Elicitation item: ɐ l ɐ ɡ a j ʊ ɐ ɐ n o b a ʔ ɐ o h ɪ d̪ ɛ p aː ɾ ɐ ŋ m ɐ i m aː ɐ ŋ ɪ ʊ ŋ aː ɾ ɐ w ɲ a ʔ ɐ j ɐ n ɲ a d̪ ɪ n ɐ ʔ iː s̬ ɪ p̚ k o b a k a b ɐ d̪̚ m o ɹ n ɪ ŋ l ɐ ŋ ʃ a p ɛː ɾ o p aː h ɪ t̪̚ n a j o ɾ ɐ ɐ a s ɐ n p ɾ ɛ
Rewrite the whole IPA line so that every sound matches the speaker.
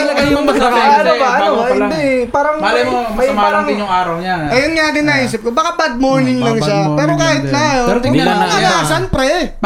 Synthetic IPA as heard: ɐ l ɐ ɡ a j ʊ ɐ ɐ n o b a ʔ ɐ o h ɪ d̪ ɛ p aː ɾ ɐ ŋ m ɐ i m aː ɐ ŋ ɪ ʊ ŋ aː ɾ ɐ w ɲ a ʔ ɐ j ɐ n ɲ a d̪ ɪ n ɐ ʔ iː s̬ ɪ p̚ k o b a k a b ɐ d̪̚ m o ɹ n ɪ ŋ l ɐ ŋ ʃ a p ɛː ɾ o k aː h ɪ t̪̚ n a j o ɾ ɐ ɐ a s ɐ n p ɾ ɛ